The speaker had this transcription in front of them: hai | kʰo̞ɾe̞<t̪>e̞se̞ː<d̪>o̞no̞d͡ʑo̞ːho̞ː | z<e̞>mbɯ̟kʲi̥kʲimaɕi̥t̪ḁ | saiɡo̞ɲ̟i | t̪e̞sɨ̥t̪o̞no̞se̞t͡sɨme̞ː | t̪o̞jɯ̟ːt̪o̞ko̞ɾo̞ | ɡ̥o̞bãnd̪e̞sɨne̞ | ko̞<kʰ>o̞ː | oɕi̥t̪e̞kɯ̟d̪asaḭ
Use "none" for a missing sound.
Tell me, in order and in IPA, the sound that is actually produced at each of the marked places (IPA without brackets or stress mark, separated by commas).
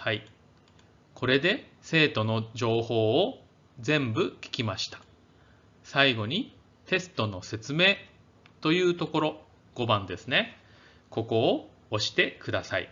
d̪, t̪, ẽ̞, k